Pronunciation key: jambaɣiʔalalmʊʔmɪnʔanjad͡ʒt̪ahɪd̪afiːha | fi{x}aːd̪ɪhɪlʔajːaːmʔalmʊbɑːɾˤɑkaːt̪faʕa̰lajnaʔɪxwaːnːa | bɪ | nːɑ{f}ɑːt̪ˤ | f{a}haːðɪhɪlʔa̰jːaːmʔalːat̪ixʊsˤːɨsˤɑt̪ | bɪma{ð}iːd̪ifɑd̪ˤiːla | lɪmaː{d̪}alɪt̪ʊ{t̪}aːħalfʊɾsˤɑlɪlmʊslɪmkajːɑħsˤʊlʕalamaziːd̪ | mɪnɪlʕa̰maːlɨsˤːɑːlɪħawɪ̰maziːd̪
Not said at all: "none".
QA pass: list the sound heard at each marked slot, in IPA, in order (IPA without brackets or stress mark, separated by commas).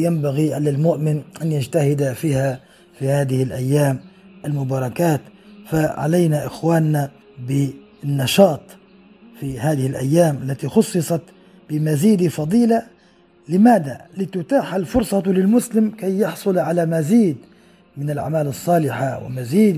h, ʃ, i, z, d̪, t̪